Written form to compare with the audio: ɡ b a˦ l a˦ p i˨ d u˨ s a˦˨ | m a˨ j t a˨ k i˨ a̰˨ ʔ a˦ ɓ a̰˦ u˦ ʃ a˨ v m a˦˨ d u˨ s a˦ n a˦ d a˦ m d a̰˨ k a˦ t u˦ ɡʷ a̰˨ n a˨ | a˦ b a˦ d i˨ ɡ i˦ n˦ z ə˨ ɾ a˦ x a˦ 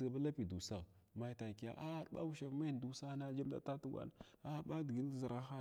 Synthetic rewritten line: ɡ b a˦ l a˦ p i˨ d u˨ s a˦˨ | m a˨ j t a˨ k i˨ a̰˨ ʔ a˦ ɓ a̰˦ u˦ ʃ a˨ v m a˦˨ d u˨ s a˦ n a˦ d͡ʒ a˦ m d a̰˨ t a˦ t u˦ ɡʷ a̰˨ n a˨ | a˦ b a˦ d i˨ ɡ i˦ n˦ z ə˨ ɾ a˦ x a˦